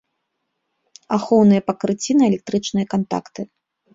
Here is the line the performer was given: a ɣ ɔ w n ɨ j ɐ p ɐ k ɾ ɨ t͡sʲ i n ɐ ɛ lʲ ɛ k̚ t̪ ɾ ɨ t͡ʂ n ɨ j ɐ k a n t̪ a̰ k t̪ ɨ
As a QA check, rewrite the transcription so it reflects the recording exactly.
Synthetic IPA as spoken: a x ɔ w n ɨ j ɐ p ɐ k ɾ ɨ t͡sʲ i n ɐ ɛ lʲ ɛ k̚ t̪ ɾ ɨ t͡ʂ n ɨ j ɐ k a n t̪ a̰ k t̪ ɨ

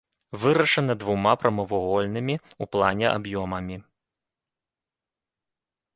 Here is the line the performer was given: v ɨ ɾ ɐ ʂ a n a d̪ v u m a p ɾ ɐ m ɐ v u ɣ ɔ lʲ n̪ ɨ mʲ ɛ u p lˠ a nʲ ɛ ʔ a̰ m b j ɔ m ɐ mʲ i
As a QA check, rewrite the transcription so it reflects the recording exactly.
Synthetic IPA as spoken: v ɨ ɾ ɐ ʂ ɐ n ɐ d̪ v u m a p ɾ ɐ m ɐ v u ɣ ɔ lʲ n̪ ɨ mʲ i u p lˠ a nʲ ɛ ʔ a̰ b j ɔ m ɐ mʲ i

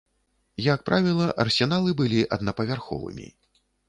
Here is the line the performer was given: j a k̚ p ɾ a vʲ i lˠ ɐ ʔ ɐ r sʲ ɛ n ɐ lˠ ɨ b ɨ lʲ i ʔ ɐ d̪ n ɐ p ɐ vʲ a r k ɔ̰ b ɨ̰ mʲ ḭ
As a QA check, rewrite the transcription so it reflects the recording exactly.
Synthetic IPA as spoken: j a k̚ p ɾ a vʲ i lˠ ɐ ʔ ɐ r sʲ ɛ n a lˠ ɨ b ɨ lʲ i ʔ ɐ d̪ n ɐ p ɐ vʲ a r x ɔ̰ v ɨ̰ mʲ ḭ

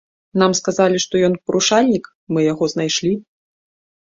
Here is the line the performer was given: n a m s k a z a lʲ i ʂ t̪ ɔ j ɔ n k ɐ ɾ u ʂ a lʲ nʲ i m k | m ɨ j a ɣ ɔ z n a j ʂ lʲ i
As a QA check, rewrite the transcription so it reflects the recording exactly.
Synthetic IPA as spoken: n a m s k a z a lʲ i ʂ t̪ ɔ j ɔ n p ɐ ɾ u ʂ a lʲ nʲ i k | m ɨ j a ɣ ɔ z n a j ʂ lʲ i

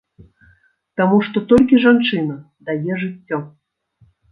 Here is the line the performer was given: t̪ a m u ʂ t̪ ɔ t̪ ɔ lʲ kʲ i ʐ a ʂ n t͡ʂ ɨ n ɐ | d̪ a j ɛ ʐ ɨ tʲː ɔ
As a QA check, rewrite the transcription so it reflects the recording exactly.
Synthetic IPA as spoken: t̪ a m u ʂ t̪ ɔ t̪ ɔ lʲ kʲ i ʐ a n t͡ʂ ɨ n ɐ | d̪ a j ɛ ʐ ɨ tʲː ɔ

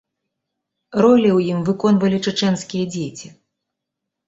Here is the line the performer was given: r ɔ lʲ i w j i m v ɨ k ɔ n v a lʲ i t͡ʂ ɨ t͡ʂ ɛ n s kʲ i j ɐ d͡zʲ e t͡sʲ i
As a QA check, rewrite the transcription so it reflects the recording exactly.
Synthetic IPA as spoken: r ɔ lʲ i w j i m v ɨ k ɔ n v ɐ lʲ i t͡ʂ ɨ t͡ʂ ɛ n s kʲ i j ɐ d͡zʲ e t͡sʲ i

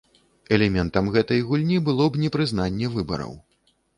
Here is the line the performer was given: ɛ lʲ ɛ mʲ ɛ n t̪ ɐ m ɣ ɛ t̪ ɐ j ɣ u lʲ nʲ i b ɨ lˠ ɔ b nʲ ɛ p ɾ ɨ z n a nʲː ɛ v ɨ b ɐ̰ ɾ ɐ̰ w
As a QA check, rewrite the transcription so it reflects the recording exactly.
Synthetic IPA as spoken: ɛ lʲ ɛ mʲ ɛ n t̪ ɐ m ɣ ɛ t̪ ɐ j ɣ u lʲ nʲ i b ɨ lˠ ɔ b nʲ ɛ p ɾ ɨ z n a nʲː ɛ v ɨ b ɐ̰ ɾ ɐ̰ w

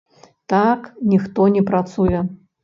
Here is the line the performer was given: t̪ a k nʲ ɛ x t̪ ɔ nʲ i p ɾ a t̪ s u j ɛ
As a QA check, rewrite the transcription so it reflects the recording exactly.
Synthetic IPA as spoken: t̪ a k nʲ i x t̪ ɔ nʲ ɛ p ɾ a t̪ s u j ɛ

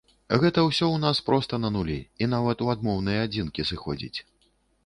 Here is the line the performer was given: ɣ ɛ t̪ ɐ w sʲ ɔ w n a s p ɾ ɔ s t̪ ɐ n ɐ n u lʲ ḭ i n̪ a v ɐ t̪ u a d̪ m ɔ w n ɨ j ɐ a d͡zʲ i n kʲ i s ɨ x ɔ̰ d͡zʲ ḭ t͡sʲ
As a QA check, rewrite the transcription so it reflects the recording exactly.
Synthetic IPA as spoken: ɣ ɛ t̪ ɐ w sʲ ɔ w n a s p ɾ ɔ s t̪ ɐ n ɐ n u lʲ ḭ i n̪ a v ɐ t̪ u a d̪ m ɔ w n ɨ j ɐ a d͡zʲ i n kʲ i s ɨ x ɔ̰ d͡zʲ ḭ t͡sʲ

